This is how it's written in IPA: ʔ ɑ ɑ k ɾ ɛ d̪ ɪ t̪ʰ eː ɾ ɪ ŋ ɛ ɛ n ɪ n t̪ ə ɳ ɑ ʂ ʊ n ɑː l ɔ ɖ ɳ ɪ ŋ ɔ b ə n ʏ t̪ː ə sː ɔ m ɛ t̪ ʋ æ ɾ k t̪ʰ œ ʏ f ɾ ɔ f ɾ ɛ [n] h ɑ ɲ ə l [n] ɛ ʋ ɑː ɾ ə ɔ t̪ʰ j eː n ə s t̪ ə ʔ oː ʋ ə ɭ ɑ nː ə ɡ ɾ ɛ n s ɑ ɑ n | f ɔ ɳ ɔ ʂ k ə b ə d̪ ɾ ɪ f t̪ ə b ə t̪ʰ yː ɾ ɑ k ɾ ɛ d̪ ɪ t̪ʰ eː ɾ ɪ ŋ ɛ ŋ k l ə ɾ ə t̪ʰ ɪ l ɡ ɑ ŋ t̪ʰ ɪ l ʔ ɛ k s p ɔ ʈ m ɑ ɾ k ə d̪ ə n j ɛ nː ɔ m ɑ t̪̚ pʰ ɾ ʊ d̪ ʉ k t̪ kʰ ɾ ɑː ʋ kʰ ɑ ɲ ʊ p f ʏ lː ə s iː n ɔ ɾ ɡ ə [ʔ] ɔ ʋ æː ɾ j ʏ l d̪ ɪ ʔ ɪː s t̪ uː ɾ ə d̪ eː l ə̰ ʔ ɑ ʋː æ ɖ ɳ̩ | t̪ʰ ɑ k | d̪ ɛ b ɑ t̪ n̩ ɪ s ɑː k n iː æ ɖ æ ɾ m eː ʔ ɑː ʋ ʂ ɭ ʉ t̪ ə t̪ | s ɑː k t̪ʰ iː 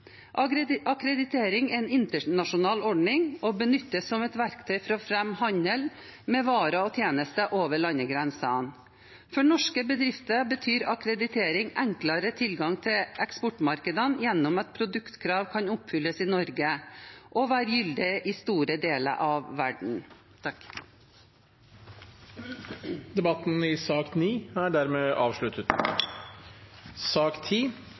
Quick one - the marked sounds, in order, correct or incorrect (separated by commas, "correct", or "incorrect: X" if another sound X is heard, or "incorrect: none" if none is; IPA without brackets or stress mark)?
incorrect: m, incorrect: m, correct